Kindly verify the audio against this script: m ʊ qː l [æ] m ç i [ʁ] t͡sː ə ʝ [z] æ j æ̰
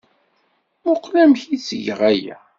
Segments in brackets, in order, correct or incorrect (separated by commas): correct, incorrect, incorrect